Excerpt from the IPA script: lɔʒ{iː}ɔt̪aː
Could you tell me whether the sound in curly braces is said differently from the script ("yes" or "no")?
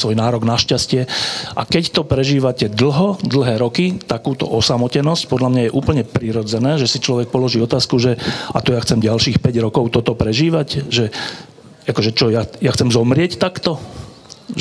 no